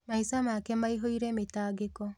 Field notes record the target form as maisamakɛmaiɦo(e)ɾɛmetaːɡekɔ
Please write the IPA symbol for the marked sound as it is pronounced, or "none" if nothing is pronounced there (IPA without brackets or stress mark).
i